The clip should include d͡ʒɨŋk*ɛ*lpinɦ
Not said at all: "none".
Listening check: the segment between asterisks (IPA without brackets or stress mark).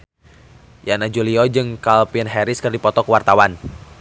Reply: a